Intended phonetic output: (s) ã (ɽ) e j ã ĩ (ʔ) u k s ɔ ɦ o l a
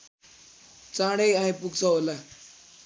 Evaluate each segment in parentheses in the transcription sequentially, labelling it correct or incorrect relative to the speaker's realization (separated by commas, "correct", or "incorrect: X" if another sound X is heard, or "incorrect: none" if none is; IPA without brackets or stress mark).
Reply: incorrect: t͡s, correct, incorrect: p